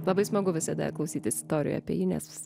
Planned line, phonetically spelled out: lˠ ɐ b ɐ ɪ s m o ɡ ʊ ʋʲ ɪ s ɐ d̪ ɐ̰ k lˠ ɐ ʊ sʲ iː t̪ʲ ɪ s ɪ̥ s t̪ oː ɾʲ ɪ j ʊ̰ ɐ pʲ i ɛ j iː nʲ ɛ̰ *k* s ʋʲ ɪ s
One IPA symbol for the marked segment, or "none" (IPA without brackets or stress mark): none